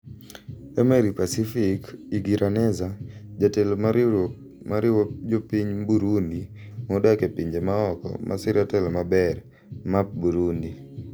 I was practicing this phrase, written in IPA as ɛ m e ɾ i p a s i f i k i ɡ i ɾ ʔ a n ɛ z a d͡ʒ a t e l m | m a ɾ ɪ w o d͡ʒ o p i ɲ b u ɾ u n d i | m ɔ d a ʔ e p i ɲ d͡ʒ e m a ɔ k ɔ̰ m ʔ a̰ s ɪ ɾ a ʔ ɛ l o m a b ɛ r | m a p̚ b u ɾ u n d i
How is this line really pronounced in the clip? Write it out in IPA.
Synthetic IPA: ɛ m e ɾ i p a s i f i k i ɡ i ɾ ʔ a n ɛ z a d͡ʒ a t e l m | m a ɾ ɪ w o d͡ʒ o p i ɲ b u ɾ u n d i | m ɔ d a k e p i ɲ d͡ʒ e m a ɔ k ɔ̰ m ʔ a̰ s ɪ ɾ a t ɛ l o m a b ɛ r | m a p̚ b u ɾ u n d i